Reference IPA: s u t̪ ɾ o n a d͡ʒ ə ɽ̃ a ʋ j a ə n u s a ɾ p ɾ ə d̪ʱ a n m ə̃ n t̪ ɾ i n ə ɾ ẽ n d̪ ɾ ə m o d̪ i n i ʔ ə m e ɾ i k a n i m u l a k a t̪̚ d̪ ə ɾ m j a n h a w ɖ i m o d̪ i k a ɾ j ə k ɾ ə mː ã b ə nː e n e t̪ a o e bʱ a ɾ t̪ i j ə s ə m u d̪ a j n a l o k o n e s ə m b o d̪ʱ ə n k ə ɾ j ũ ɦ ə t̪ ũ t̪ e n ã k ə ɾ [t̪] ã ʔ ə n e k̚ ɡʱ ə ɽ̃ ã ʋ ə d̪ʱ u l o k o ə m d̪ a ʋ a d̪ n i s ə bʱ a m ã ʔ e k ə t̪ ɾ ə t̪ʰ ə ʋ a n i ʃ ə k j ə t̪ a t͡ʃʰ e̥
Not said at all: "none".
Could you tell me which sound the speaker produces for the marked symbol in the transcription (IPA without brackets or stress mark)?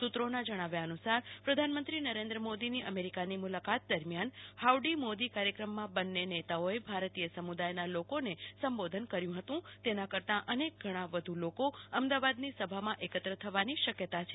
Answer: t̪